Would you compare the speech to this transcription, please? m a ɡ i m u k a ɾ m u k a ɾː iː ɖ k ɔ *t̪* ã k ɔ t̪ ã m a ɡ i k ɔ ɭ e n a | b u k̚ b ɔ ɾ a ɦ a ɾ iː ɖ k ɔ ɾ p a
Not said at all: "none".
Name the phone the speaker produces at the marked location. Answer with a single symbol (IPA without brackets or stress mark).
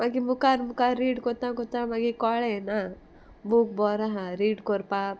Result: t̪